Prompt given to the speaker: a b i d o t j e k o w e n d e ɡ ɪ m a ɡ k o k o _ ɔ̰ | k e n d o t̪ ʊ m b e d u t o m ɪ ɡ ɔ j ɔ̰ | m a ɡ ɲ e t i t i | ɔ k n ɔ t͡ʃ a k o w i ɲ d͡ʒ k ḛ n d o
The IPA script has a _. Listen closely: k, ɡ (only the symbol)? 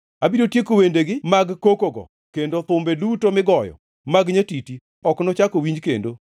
ɡ